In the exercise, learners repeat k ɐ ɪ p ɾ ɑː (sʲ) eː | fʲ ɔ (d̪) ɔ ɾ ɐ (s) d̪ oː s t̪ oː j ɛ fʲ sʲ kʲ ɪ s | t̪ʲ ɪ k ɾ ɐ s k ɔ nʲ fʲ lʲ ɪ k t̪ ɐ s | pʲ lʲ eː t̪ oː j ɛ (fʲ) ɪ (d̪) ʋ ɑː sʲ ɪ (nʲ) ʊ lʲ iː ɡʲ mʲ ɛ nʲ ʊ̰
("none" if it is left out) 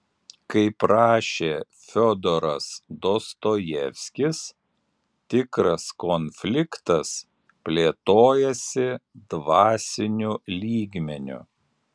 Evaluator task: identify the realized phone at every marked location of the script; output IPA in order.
ʃʲ, d̪, s, sʲ, d̪, nʲ

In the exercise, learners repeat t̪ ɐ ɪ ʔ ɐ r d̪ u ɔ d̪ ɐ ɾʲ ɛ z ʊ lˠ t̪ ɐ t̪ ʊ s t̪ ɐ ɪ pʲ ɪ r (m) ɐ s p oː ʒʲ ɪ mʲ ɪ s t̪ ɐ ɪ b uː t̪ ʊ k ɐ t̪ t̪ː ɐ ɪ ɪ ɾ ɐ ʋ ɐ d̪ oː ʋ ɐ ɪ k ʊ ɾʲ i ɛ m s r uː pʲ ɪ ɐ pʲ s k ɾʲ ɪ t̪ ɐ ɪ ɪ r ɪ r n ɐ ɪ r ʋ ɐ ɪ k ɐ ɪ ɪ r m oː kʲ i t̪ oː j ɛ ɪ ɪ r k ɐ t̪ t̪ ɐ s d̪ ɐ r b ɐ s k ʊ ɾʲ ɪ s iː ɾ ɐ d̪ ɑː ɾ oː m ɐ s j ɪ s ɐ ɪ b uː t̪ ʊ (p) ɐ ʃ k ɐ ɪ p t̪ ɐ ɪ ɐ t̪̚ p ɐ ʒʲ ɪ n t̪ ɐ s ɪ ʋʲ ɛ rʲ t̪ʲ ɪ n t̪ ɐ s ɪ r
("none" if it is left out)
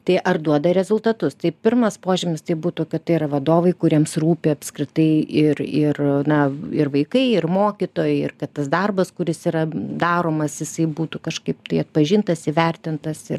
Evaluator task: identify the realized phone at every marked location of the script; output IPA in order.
m, k

